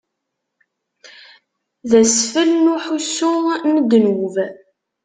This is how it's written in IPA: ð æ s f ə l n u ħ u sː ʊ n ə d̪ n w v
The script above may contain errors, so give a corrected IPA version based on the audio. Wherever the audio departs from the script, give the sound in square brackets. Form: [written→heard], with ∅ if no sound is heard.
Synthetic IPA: ð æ s f ə l n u ħ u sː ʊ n ə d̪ n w v